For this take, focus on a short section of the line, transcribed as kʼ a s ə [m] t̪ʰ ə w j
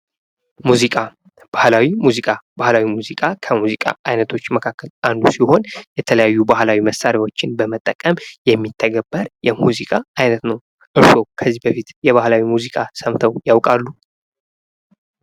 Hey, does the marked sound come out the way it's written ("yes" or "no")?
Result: yes